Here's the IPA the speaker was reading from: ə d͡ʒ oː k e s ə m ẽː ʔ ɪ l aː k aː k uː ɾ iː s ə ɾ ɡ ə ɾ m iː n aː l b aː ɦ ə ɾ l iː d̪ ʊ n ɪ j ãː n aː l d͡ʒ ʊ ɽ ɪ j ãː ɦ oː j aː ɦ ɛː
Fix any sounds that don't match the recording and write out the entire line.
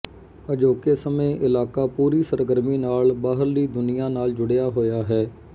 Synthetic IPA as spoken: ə d͡ʒ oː k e s ə m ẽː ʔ ɪ l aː k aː p uː ɾ iː s ə ɾ ɡ ə ɾ m iː n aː l b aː ɦ ə ɾ l iː d̪ ʊ n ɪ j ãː n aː l d͡ʒ ʊ ɽ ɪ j aː ɦ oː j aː ɦ ɛː